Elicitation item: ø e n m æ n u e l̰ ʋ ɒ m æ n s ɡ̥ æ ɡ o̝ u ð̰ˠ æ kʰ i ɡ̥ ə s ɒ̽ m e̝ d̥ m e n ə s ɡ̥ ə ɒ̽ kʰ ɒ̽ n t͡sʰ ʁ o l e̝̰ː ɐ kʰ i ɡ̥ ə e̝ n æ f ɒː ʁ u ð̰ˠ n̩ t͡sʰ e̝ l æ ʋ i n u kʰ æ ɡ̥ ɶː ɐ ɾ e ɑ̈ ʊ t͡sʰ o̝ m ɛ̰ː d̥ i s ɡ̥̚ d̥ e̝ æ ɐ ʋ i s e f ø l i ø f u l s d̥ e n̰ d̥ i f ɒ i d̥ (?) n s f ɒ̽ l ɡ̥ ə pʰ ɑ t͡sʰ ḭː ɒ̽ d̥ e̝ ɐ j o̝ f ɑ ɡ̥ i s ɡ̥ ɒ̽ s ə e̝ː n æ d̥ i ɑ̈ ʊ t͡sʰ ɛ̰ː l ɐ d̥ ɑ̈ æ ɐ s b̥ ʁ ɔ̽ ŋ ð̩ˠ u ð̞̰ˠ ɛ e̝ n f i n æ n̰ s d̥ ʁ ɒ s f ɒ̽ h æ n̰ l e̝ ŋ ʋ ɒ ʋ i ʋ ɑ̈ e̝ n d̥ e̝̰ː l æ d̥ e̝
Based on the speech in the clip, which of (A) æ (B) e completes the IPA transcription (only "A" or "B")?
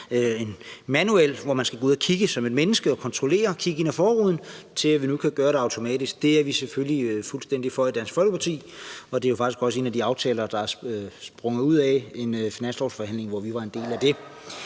A